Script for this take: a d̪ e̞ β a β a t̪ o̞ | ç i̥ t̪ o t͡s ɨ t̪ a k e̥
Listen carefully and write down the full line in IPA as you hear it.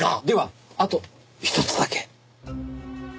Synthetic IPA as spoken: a d̪ e̞ β a a t̪ o̞ | ç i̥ t̪ o t͡s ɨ d̪ a k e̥